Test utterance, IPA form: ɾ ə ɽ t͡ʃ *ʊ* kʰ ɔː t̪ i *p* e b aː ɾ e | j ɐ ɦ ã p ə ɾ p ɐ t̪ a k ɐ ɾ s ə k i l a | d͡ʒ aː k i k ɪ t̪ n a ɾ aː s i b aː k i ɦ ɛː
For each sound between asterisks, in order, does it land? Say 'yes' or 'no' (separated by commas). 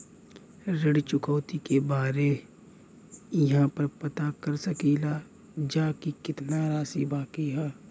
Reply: yes, no